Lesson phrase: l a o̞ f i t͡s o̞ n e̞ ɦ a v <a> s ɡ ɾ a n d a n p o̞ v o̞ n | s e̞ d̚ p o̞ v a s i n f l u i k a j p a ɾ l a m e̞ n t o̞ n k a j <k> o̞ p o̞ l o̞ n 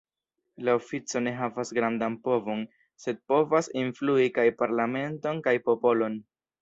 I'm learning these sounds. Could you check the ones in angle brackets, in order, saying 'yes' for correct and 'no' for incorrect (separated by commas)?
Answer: yes, no